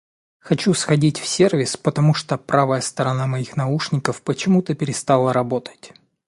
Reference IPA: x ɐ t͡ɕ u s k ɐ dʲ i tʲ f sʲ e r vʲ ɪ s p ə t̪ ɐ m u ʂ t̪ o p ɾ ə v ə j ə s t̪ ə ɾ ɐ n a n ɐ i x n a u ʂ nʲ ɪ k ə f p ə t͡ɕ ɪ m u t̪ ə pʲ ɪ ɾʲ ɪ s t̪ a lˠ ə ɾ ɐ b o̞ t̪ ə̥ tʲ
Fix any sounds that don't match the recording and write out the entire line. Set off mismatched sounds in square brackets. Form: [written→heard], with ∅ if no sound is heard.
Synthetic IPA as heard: x ɐ t͡ɕ u s [k→x] ɐ dʲ i tʲ f sʲ e r vʲ ɪ s p ə t̪ ɐ m u ʂ t̪ o p ɾ [ə→a] v ə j ə s t̪ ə ɾ ɐ n a [n→m] ɐ i x n [a→ɐ] u ʂ nʲ ɪ k ə f p ə t͡ɕ ɪ m u t̪ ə pʲ ɪ ɾʲ ɪ s t̪ a lˠ ə ɾ ɐ b o̞ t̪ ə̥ tʲ